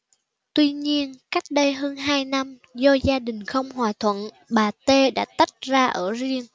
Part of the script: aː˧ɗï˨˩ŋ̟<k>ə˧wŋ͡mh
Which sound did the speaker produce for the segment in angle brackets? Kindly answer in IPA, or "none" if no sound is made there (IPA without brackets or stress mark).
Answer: x